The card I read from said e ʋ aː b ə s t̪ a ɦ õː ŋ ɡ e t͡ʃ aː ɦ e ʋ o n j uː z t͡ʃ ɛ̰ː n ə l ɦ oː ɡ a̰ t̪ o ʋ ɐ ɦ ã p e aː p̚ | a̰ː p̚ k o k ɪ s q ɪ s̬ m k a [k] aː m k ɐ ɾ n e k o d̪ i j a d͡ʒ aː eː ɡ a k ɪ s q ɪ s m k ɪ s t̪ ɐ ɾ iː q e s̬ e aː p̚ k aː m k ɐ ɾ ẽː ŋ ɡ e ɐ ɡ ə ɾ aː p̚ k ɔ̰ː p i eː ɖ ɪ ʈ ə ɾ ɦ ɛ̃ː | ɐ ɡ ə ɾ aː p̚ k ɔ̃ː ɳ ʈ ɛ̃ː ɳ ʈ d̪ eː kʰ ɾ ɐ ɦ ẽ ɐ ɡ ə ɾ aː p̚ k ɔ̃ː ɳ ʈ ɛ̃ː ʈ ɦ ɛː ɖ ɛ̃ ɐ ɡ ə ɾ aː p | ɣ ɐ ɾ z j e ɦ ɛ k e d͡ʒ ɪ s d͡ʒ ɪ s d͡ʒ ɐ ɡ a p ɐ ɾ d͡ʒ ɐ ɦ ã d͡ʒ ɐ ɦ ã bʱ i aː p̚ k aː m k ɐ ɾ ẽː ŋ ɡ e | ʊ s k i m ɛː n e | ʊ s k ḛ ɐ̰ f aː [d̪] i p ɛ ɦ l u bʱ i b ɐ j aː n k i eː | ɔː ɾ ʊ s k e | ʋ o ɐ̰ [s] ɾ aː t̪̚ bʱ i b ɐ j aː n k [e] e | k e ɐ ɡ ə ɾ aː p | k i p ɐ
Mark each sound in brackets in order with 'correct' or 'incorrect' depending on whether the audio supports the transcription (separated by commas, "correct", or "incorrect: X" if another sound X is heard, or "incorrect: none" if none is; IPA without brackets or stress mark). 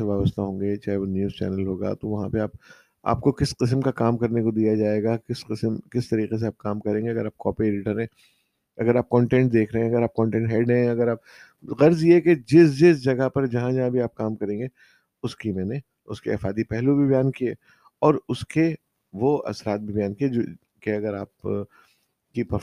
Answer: correct, correct, correct, incorrect: i